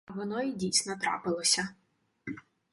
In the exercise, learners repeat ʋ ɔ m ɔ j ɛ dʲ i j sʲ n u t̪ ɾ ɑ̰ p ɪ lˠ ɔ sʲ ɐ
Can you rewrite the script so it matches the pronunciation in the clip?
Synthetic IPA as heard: ʋ ɔ n ɔ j i dʲ i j sʲ n ɔ t̪ ɾ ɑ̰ p ɪ lˠ ɔ sʲ ɐ